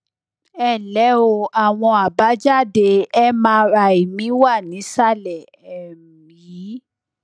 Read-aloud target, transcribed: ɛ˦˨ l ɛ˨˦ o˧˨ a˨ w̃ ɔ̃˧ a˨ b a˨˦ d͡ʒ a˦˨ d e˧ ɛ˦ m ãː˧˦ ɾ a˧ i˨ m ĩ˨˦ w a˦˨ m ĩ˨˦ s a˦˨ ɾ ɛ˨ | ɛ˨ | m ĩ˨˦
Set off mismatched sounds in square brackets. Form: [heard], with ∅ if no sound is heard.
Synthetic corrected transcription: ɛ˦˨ l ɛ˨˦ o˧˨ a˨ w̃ ɔ̃˧ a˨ b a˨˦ d͡ʒ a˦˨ d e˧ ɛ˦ m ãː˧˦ ɾ a˧ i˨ m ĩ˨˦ w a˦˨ [n] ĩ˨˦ s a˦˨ [l] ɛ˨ | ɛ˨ | m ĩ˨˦

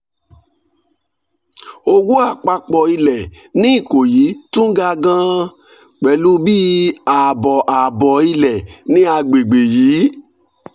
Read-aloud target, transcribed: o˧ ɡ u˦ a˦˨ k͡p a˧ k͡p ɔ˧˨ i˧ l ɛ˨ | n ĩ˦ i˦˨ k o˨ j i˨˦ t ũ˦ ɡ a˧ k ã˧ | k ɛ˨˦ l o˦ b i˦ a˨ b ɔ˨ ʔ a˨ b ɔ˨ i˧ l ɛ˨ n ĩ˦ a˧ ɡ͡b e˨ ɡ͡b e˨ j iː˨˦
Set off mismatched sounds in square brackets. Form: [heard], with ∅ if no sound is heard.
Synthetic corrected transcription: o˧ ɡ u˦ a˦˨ k͡p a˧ k͡p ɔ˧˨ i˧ l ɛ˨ | n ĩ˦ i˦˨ k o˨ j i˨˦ t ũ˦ ɡ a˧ [ɡ] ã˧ | [k͡p] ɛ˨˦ l [u˦] b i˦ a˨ b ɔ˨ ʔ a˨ b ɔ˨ i˧ l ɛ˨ n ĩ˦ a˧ ɡ͡b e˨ ɡ͡b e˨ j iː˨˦

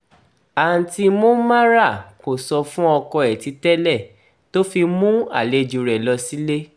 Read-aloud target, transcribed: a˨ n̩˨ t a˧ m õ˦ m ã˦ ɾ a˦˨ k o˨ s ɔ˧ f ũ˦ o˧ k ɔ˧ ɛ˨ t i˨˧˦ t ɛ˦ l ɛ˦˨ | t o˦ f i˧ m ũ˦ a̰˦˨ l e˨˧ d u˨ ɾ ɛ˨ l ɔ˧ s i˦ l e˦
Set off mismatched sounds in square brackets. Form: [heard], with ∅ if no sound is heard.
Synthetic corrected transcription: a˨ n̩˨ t [i˧] m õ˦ m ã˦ ɾ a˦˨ k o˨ s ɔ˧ f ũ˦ [ɔ˧] k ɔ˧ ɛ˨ t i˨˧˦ t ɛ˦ l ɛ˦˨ | t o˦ f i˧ m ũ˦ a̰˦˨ l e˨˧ [d͡ʒ] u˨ ɾ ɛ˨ l ɔ˧ s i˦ l e˦

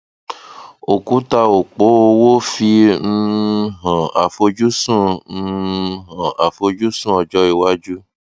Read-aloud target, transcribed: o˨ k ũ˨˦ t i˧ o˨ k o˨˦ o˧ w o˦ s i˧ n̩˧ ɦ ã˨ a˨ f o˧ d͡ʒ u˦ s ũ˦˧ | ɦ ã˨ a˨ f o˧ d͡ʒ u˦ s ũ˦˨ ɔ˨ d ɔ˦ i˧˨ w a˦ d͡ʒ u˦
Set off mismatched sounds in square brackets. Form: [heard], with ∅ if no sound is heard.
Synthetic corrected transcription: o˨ k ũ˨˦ t [a˧] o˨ [k͡p] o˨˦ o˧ w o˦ [f] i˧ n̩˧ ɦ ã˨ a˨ f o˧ d͡ʒ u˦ s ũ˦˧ | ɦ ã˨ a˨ f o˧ d͡ʒ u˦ s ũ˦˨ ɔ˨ [d͡ʒ] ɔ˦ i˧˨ w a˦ d͡ʒ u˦

